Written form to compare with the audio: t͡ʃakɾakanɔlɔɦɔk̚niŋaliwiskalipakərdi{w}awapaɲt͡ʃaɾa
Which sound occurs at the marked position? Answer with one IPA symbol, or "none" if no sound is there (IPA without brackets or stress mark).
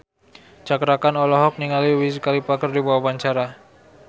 b